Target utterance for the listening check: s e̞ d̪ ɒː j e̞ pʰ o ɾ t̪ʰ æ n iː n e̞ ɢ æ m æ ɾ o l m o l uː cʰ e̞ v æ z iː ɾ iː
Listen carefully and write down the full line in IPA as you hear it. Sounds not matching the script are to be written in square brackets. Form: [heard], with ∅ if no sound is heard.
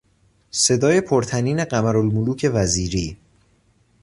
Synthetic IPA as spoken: s e̞ d̪ ɒː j e̞ pʰ o ɾ t̪ʰ æ n iː n e̞ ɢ æ m æ ɾ o l m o l uː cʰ e̞ v æ z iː ɾ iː